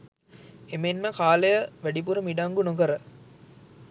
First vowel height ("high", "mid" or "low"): mid